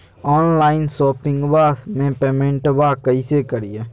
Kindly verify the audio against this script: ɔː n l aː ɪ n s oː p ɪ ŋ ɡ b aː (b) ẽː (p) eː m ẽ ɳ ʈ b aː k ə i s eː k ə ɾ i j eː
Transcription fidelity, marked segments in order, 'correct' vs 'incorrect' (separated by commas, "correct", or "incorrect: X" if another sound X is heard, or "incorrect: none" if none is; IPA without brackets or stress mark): incorrect: m, correct